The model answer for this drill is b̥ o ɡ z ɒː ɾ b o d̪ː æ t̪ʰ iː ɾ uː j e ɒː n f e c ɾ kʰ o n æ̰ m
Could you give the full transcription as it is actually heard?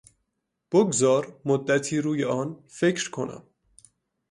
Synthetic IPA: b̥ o ɡ z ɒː ɾ m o d̪ː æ t̪ʰ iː ɾ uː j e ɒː n f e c ɾ kʰ o n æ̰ m